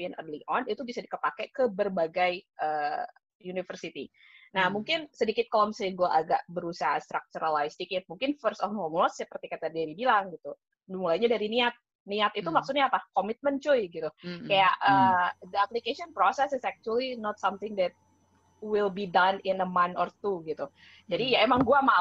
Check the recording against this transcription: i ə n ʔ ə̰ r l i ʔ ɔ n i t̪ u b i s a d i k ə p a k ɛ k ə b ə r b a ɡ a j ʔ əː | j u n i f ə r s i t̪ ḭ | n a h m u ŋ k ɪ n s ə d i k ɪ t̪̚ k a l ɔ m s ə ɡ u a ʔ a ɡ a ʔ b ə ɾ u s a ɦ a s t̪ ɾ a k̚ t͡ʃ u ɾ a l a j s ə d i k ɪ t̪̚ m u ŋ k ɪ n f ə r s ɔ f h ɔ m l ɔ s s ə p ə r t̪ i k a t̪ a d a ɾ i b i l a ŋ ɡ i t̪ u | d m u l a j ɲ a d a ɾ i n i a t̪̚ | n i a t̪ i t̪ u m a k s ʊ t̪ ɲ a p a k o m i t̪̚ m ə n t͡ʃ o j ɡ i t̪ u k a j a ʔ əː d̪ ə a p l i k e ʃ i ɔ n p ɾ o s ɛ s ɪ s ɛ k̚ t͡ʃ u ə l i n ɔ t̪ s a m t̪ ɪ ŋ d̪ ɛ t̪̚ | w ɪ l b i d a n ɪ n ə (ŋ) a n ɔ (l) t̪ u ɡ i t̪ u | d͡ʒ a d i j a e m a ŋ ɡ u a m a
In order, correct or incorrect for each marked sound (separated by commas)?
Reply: incorrect, incorrect